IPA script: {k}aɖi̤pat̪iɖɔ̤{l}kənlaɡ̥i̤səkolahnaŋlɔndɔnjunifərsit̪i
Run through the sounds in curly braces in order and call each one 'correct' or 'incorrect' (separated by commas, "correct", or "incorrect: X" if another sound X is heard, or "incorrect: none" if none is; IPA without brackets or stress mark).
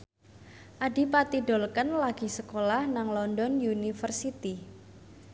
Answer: incorrect: ʔ, correct